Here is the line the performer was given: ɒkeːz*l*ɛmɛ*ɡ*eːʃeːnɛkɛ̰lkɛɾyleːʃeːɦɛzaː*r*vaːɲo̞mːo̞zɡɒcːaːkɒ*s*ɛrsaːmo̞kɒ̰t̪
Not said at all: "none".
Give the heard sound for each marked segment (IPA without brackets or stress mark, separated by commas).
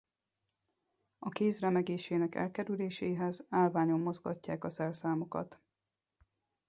r, ɡ, l, s